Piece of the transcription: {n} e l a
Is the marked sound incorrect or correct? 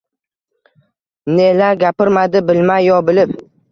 correct